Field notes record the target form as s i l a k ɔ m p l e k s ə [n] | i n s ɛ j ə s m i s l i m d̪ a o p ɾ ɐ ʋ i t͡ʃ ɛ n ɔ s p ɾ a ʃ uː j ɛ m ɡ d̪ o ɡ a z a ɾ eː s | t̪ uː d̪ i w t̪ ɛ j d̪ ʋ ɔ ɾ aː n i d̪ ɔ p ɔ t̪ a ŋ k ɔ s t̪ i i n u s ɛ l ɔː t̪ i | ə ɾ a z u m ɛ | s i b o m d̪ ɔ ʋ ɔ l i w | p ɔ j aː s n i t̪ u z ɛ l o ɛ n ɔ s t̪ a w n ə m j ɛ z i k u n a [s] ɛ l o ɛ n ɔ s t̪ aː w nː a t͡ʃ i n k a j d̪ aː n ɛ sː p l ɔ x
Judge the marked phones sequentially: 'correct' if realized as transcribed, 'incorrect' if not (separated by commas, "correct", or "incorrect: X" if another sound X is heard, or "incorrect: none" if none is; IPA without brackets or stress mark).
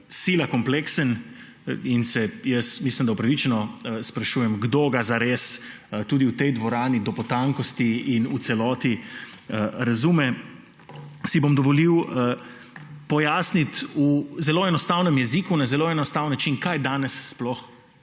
correct, incorrect: z